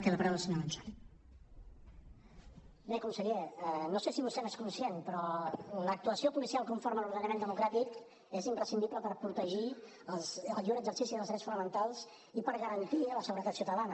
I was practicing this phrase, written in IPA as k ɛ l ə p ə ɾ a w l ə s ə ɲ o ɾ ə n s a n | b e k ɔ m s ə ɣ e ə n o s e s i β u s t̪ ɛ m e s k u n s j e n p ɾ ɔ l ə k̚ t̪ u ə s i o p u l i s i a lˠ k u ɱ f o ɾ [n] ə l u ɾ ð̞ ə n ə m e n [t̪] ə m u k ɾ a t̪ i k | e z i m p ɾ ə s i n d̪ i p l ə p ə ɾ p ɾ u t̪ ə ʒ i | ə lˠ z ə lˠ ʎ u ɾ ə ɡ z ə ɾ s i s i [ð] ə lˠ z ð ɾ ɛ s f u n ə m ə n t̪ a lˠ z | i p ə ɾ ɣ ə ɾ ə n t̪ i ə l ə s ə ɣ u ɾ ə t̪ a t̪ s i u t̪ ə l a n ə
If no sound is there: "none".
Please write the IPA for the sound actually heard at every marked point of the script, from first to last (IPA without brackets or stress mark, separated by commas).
m, d̪, ð